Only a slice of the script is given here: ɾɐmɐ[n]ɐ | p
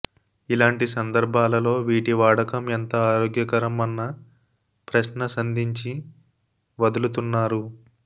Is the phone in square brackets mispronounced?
yes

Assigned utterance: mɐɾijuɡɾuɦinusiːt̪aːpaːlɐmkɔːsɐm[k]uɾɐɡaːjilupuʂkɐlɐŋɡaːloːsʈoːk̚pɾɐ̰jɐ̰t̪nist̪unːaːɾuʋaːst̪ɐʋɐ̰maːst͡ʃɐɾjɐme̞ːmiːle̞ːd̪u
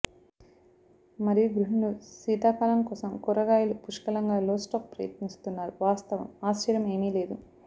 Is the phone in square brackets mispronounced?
no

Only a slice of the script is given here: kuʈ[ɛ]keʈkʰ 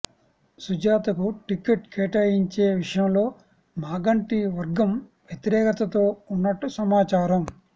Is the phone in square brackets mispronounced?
yes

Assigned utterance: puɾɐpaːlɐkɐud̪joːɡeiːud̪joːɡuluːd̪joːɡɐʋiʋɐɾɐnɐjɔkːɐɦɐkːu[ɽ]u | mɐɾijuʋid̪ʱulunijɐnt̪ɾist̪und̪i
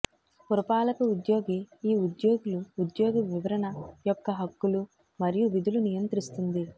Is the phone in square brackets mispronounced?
yes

